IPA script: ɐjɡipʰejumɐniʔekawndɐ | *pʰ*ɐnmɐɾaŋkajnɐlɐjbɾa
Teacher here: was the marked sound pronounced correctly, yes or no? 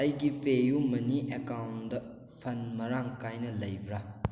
yes